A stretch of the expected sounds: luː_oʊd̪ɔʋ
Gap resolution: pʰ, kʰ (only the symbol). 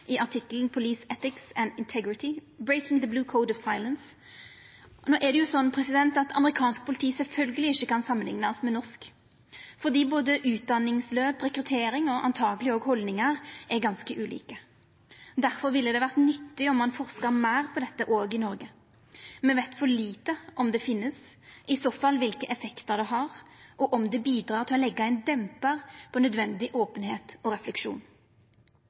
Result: kʰ